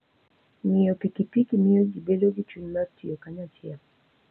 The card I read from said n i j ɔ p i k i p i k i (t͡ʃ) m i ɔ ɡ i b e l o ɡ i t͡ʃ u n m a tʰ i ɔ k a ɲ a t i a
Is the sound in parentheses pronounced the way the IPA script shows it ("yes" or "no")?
no